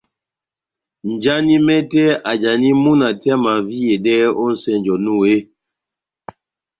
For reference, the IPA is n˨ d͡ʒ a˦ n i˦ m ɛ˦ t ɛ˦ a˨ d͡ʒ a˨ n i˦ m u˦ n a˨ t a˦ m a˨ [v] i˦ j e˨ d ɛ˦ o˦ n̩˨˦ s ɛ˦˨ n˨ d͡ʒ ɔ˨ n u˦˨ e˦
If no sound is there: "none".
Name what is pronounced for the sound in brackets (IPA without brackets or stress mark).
v